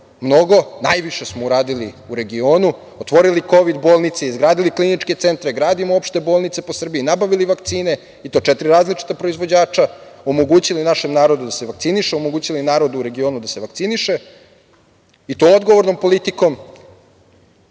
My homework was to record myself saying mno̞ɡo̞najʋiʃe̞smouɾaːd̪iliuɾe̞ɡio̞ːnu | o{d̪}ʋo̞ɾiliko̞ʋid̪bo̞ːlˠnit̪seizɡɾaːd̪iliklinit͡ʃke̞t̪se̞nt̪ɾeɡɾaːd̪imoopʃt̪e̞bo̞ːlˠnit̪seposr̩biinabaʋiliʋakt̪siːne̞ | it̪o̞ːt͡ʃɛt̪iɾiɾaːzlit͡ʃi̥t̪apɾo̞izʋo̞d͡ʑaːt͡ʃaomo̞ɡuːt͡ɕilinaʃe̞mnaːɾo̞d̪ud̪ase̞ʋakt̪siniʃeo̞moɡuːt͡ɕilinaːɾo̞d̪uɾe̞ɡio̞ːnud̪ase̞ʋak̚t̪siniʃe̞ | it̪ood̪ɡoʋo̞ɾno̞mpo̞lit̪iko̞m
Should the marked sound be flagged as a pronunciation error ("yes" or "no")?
yes